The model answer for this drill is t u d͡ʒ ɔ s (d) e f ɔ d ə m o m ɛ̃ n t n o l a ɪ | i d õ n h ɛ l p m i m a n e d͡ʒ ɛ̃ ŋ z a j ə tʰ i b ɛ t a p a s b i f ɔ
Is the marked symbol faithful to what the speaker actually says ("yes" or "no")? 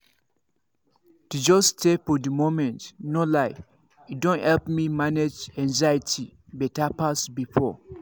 no